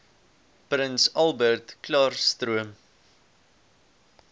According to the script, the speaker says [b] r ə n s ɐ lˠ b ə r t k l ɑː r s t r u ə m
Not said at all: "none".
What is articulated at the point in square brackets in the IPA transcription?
p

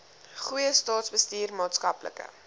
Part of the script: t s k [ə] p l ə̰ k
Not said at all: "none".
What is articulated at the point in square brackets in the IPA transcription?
ɐ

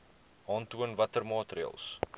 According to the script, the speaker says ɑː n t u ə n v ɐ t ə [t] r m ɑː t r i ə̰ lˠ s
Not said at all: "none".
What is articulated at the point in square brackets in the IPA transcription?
none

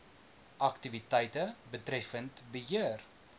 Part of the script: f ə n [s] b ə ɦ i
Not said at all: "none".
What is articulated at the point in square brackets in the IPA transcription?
t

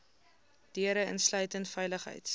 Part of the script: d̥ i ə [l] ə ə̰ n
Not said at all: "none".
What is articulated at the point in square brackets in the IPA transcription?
ɾ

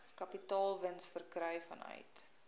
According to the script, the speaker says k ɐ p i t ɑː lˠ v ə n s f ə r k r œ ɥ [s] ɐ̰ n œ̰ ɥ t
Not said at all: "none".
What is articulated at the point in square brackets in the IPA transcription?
f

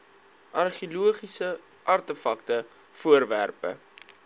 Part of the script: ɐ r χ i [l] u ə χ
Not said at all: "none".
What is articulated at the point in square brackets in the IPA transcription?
l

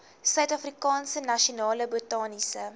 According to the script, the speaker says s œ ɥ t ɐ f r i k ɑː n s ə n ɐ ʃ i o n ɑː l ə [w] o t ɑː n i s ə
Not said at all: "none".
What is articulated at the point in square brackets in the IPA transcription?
b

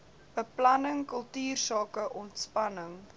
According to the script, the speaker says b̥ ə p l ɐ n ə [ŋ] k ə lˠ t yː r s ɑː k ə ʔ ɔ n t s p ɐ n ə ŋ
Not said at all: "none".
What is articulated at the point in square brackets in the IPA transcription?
ŋ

